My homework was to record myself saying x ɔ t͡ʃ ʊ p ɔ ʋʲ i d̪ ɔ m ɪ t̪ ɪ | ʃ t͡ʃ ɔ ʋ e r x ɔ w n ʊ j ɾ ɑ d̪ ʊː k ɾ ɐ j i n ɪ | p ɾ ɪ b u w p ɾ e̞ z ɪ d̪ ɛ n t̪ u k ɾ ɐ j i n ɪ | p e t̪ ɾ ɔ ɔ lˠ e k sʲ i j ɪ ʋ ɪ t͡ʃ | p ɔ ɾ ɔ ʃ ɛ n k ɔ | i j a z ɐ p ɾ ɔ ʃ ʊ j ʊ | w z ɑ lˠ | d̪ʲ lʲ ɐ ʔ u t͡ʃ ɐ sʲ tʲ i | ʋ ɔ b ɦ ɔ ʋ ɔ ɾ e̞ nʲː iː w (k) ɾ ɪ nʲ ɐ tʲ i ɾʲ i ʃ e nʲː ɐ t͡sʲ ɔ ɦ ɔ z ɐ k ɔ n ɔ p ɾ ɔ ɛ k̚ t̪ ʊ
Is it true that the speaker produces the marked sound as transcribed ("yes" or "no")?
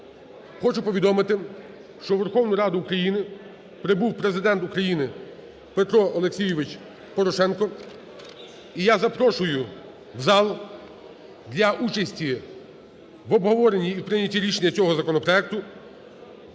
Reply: no